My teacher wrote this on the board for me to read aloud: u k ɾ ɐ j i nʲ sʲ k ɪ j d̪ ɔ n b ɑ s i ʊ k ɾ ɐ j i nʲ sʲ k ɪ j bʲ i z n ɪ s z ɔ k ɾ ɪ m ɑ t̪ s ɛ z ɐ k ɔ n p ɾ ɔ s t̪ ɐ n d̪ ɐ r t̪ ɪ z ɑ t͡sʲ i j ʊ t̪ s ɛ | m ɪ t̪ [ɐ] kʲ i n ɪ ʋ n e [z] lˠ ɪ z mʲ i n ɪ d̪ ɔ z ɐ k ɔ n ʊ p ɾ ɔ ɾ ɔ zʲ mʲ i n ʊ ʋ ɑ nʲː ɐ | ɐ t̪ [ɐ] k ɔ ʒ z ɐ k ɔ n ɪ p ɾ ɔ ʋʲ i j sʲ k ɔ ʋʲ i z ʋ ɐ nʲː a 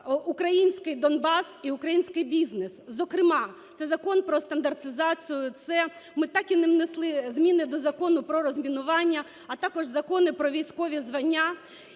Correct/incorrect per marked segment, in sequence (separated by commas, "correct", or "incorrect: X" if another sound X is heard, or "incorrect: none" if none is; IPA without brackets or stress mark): incorrect: ɑ, incorrect: s, incorrect: ɑ